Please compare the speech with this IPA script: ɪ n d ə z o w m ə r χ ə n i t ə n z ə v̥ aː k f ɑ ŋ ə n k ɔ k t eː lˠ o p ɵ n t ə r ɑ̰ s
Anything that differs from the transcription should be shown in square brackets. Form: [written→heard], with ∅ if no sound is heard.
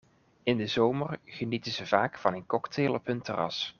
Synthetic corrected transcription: ɪ n d ə z o w m ə r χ ə n i t ə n z ə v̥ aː k f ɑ [ŋ→n] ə n k ɔ k t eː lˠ [o→ɔ] p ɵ n t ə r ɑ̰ s